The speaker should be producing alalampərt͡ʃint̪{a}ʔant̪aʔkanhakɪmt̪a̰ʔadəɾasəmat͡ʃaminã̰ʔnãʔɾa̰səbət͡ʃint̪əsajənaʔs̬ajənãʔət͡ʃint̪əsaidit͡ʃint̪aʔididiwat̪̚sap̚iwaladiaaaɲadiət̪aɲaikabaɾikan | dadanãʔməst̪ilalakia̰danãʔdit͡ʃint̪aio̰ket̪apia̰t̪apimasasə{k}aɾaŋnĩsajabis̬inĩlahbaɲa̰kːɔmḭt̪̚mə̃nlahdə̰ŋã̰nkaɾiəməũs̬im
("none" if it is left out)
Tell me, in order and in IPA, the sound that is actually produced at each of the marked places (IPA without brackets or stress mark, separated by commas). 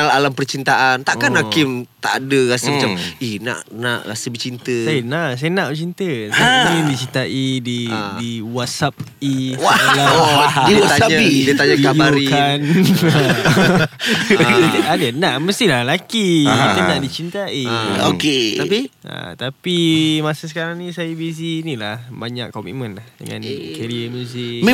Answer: a, k